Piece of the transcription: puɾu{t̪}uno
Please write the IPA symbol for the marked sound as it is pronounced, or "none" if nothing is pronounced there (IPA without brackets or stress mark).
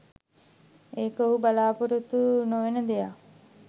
t̪